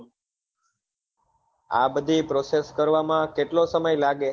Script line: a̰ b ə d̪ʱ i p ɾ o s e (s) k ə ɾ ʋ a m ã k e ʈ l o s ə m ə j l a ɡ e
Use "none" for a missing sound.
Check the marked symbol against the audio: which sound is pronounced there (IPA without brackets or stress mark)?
s